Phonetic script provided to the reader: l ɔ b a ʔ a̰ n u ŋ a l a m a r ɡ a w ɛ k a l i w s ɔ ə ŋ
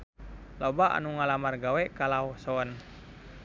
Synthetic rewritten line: l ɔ b a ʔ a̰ n u ŋ a l a m a r ɡ a w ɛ k a l a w s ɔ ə n